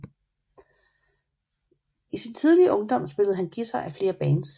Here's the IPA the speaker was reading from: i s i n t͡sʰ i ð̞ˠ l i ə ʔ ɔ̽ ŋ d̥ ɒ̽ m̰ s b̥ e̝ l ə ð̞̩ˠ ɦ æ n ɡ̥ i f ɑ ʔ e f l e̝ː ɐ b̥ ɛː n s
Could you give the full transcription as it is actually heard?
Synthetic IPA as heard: i s i n t͡sʰ i ð̞ˠ l i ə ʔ ɔ̽ ŋ d̥ ɒ̽ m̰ s b̥ e̝ l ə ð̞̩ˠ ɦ æ n ɡ̥ i s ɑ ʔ æ f l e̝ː ɐ b̥ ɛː n s